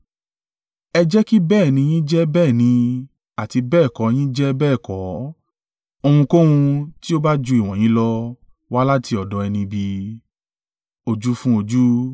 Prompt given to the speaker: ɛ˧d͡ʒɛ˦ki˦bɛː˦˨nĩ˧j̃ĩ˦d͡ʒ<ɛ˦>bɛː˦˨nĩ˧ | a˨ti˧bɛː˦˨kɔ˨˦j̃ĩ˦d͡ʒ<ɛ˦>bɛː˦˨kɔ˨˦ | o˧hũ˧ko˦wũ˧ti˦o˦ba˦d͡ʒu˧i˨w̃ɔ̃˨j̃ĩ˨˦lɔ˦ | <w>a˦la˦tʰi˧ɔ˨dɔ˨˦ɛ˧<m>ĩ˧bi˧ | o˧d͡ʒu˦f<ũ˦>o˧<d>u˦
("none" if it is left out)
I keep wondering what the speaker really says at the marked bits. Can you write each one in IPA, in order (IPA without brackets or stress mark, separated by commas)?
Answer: ɛ˦, ɛ˦, w, n, ũ˦, d͡ʒ